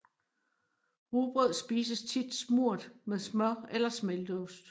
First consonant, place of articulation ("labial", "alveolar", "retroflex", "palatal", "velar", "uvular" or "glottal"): uvular